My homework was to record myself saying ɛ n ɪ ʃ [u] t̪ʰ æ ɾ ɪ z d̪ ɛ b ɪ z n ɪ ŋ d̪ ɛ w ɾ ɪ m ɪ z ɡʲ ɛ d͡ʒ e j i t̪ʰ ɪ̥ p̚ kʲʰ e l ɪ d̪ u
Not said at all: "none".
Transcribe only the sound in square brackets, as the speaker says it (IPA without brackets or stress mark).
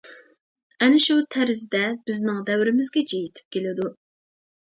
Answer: u